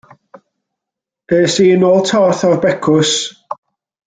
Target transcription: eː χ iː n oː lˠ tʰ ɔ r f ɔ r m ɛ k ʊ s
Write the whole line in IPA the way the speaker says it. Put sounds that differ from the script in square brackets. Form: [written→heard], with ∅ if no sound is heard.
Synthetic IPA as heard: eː [χ→s] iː n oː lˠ tʰ ɔ r [f→θ] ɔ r [m→b] ɛ [k→kʰ] ʊ s